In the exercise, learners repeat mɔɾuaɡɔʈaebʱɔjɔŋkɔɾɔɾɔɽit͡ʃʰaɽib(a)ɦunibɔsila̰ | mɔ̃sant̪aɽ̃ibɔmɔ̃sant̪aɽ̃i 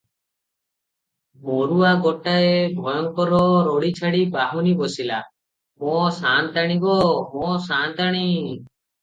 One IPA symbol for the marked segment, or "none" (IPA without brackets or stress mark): a